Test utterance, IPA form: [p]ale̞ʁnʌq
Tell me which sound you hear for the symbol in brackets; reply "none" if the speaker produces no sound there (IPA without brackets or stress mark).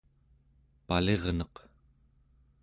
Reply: p